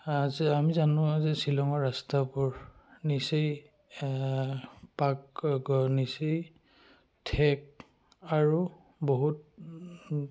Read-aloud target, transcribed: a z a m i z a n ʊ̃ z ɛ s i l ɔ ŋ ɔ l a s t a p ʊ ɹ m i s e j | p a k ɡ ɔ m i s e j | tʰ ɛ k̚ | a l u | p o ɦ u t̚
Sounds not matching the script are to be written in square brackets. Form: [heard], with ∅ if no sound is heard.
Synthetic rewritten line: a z a m i z a n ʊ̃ z ɛ s i l ɔ ŋ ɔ [ɹ] a s t a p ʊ ɹ [n] i s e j | p a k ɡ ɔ [n] i s e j | tʰ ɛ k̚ | a [ɹ] u | [b] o ɦ u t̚

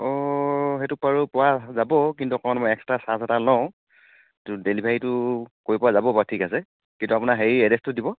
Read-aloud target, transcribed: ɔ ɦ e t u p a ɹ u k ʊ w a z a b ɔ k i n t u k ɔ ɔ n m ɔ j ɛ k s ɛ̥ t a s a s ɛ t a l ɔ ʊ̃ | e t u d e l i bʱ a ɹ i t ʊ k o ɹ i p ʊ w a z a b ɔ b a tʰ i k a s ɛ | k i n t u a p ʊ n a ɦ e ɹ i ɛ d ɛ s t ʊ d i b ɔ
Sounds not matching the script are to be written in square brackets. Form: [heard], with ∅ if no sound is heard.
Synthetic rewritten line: ɔ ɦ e t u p a ɹ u [p] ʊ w a z a b ɔ k i n t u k ɔ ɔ n m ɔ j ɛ k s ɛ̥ t a s a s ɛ t a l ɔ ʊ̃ | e t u d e l i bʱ a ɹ i t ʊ k o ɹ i p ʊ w a z a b ɔ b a tʰ i k a s ɛ | k i n t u a p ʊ n a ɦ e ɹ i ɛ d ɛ s t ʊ d i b ɔ

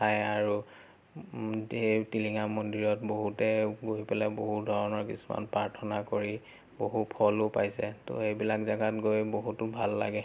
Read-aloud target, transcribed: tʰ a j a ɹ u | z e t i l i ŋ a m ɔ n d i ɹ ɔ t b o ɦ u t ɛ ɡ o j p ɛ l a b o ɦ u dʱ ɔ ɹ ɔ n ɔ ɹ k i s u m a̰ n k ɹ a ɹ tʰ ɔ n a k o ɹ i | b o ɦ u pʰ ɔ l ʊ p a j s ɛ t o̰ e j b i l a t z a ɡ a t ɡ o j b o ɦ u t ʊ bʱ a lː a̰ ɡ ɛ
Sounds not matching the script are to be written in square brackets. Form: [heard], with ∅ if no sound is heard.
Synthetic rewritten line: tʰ a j a ɹ u | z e t i l i ŋ a m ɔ n d i ɹ ɔ t b o ɦ u t ɛ ɡ o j p ɛ l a b o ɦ u dʱ ɔ ɹ ɔ n ɔ ɹ k i s u m a̰ n [p] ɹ a ɹ tʰ ɔ n a k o ɹ i | b o ɦ u pʰ ɔ l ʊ p a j s ɛ t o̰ e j b i l a [k] z a ɡ a t ɡ o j b o ɦ u t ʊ bʱ a lː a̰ ɡ ɛ

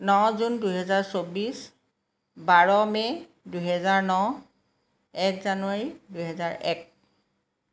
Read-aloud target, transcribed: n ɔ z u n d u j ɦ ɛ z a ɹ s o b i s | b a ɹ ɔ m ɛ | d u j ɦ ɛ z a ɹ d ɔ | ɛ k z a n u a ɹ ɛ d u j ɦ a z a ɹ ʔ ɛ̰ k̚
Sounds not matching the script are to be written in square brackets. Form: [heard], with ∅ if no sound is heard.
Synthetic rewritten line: n ɔ z u n d u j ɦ ɛ z a ɹ s o b i s | b a ɹ ɔ m ɛ | d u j ɦ ɛ z a ɹ [n] ɔ | ɛ k z a n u a ɹ [i] d u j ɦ [ɛ] z a ɹ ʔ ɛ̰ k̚

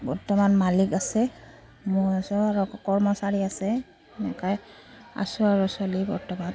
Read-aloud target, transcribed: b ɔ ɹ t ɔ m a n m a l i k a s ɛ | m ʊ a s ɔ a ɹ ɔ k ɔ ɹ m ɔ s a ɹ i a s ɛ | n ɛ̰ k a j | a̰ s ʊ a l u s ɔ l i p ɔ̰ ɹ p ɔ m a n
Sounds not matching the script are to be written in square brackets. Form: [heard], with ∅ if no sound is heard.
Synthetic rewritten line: b ɔ ɹ t ɔ m a n m a l i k a s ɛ | m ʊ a s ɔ a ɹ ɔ k ɔ ɹ m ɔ s a ɹ i a s ɛ | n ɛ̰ k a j | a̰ s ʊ a [ɹ] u s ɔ l i [b] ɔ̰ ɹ [t] ɔ m a n

